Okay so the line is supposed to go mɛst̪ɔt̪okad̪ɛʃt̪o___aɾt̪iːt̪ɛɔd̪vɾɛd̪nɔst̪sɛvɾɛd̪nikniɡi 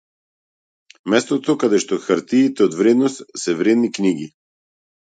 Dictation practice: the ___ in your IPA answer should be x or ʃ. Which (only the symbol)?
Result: x